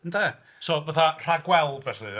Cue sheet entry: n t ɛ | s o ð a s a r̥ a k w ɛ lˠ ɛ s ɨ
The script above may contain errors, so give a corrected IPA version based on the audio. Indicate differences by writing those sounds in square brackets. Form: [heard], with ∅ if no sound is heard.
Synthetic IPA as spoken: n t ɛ | s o [v] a [θ] a r̥ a [ɡ] w ɛ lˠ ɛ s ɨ